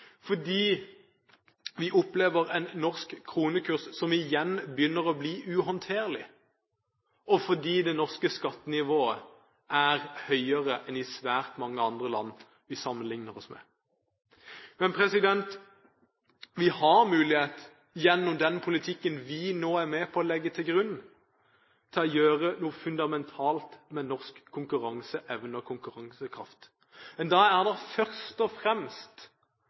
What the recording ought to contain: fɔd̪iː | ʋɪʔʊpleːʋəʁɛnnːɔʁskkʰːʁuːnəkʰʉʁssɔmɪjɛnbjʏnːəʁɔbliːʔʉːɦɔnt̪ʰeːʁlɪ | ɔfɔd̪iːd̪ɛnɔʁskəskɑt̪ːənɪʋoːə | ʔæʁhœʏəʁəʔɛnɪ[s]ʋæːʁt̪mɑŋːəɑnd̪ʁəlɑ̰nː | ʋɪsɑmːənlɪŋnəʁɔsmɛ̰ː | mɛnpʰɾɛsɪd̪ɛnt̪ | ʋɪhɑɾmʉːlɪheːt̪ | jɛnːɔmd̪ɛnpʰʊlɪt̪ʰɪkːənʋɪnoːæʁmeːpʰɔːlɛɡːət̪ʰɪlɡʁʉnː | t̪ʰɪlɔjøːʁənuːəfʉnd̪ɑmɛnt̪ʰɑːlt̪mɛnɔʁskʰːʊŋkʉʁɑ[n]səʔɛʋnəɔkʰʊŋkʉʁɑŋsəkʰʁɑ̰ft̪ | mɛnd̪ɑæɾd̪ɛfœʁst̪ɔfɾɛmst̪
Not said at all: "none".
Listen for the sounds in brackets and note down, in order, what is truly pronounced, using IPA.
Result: s, ŋ

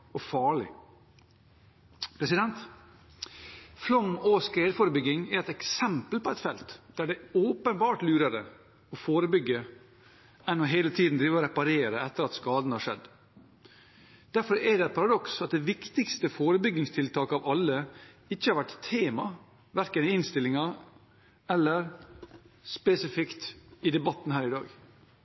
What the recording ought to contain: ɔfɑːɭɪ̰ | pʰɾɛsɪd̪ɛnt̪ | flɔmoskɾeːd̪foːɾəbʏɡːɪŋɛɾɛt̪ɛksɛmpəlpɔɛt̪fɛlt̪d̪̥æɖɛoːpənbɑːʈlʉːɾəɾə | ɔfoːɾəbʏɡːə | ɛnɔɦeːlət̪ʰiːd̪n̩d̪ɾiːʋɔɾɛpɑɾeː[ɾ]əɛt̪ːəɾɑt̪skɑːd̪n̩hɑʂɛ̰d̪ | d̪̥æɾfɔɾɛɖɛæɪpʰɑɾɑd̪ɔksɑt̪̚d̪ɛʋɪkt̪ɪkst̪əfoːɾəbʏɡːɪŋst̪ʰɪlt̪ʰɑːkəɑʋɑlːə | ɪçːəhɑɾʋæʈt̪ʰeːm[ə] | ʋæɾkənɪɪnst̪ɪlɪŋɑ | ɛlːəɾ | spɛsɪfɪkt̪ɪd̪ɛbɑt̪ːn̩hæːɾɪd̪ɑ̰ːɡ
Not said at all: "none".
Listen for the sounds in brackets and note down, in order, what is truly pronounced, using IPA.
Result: ɾ, ɑ

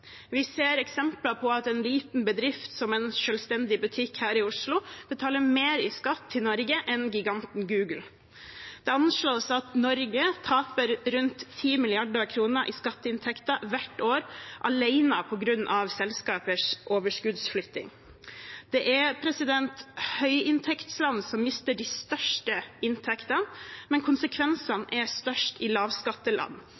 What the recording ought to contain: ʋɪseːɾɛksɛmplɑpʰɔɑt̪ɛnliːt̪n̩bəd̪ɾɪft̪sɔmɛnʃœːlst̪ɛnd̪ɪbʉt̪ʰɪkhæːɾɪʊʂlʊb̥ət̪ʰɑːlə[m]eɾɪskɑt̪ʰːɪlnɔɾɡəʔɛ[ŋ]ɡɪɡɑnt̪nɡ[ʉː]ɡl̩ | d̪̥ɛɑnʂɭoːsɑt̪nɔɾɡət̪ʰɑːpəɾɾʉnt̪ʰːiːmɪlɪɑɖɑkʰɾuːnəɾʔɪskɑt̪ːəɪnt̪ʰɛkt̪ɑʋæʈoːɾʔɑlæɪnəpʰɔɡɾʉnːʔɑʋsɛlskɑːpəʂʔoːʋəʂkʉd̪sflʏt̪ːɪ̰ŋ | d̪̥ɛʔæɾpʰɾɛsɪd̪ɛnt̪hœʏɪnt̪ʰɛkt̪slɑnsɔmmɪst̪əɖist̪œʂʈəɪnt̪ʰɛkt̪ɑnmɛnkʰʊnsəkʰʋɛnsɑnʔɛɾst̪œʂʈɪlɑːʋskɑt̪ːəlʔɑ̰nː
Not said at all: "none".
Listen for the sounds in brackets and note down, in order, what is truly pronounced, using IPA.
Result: m, n, ʉː

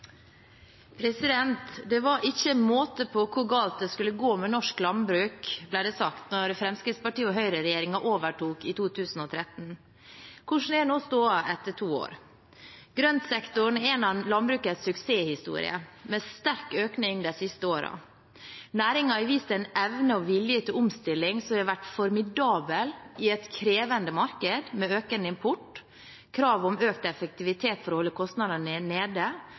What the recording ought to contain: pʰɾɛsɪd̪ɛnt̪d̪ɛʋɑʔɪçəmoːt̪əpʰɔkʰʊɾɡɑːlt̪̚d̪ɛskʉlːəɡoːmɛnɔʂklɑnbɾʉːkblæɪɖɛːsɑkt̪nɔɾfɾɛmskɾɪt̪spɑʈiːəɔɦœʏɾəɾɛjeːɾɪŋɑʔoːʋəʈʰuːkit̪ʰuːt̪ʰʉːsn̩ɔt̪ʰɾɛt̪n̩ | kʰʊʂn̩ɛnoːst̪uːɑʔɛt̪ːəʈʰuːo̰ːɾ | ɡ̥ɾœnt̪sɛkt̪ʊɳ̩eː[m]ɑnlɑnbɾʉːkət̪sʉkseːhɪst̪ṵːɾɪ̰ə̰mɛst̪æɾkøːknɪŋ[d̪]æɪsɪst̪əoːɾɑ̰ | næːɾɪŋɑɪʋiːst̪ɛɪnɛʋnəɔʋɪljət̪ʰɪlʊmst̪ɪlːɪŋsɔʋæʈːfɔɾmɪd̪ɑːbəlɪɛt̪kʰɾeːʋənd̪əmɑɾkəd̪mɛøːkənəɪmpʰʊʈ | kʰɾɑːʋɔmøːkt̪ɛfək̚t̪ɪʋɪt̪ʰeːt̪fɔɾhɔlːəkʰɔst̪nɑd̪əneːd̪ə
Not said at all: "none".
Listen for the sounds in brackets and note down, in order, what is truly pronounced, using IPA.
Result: n, d̪

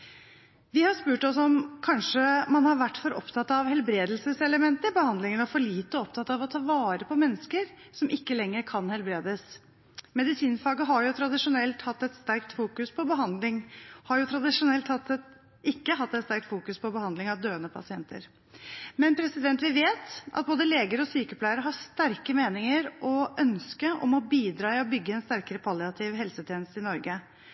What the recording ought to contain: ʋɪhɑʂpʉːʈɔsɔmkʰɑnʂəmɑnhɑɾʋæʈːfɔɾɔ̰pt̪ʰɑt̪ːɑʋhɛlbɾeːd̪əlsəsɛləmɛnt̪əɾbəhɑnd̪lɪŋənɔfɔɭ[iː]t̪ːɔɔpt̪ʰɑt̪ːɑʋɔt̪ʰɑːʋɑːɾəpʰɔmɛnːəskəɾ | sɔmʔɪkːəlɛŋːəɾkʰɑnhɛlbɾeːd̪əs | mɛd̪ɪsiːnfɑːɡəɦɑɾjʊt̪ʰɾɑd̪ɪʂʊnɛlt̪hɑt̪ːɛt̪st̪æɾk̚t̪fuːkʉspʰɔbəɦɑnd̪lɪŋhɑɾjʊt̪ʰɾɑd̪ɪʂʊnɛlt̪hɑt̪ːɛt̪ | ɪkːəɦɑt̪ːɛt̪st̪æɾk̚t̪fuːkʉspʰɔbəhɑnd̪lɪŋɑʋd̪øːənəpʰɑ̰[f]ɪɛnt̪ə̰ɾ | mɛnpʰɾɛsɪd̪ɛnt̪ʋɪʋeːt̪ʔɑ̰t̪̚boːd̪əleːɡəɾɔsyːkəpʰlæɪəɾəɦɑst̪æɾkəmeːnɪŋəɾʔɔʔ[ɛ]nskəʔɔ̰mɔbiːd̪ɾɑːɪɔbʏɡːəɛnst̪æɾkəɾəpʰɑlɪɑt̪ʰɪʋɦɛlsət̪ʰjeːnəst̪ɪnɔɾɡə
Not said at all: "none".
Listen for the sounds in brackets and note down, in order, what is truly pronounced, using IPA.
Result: iː, s, œ

